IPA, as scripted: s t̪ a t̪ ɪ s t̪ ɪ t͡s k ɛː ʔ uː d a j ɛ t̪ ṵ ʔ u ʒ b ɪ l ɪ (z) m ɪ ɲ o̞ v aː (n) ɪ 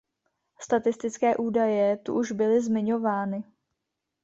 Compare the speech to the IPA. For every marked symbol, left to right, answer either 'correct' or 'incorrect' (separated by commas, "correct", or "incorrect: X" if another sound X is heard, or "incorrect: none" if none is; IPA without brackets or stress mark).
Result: correct, correct